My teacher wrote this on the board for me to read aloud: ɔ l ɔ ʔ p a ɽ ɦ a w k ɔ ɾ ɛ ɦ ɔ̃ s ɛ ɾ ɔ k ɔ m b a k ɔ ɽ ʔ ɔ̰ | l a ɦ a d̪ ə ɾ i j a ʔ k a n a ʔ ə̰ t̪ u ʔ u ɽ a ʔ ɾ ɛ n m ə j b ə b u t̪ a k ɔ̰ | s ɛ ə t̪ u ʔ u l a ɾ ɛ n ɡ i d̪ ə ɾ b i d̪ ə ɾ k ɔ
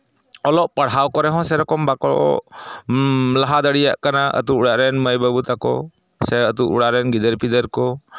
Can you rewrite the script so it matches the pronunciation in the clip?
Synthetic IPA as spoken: ɔ l ɔ ʔ p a ɽ ɦ a w k ɔ ɾ ɛ ɦ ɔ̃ s ɛ ɾ ɔ k ɔ m b a k ɔ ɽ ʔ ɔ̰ | l a ɦ a d̪ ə ɽ i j a ʔ k a n a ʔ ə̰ t̪ u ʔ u ɽ a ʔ ɾ ɛ n m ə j b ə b u t̪ a k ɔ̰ | s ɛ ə t̪ u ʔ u ɽ a ɾ ɛ n ɡ i d̪ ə ɾ p i d̪ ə ɾ k ɔ